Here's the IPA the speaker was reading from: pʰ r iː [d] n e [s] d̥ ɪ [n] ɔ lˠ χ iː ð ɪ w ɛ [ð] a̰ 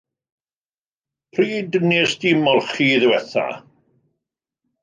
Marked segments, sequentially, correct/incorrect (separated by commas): correct, correct, incorrect, incorrect